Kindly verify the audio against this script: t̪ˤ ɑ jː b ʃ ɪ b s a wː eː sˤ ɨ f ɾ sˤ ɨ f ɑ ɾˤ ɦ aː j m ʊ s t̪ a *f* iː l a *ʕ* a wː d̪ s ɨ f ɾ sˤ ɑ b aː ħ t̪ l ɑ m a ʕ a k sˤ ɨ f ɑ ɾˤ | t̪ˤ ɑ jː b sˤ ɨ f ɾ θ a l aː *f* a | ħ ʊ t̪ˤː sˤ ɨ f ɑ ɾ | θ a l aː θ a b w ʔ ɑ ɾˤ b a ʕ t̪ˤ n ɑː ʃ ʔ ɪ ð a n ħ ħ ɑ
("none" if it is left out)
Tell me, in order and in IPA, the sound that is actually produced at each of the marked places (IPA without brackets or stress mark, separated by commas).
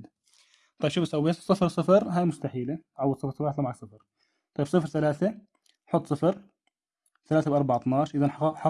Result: ħ, ʕ, θ